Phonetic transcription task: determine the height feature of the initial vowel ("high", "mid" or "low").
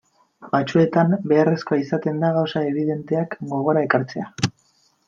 low